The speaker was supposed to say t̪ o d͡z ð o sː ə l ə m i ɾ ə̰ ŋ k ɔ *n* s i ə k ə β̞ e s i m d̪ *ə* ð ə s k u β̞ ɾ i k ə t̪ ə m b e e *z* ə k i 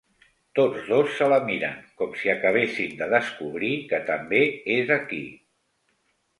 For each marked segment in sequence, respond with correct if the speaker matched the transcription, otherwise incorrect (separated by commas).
incorrect, correct, correct